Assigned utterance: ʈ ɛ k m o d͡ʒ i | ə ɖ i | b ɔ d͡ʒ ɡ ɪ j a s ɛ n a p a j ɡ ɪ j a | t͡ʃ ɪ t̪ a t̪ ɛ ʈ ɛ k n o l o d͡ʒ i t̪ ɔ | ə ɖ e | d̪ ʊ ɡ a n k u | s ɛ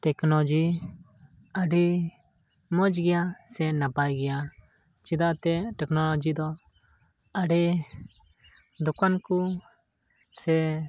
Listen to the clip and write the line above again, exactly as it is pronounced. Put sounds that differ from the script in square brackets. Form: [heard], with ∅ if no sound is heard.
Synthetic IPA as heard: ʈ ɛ k [n] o d͡ʒ i | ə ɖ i | [m] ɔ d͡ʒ ɡ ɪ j a s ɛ n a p a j ɡ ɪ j a | t͡ʃ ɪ [d̪] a t̪ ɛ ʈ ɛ k n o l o d͡ʒ i [d̪] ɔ | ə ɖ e | d̪ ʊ [k] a n k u | s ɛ